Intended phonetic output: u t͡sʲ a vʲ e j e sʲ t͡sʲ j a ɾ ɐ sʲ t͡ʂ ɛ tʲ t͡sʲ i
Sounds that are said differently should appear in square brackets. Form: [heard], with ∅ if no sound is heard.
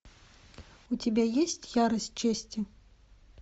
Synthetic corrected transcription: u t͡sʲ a [bʲ] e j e sʲ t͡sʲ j a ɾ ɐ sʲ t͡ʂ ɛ [sʲ] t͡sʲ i